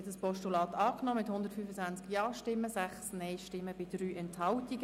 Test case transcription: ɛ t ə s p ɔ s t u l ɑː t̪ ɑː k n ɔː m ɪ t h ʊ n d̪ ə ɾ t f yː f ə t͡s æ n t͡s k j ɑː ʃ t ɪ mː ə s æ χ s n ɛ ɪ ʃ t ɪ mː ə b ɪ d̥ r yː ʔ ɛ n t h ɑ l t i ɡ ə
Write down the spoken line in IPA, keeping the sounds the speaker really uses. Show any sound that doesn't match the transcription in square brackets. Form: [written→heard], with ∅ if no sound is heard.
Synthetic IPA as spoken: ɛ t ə s p ɔ [s→ʃ] t u l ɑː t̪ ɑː k n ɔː m ɪ t h ʊ n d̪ ə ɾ t f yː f ə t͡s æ n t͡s k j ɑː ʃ t ɪ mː ə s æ χ s n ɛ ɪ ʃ t ɪ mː ə b ɪ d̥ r yː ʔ ɛ n t h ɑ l t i ɡ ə